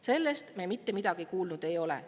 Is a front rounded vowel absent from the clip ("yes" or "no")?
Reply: yes